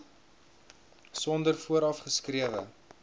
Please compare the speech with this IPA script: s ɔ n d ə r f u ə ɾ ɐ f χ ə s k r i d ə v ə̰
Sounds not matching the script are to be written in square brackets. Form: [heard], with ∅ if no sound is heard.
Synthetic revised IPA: s ɔ n d ə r f u ə ɾ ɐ f χ ə s k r i [∅] ə v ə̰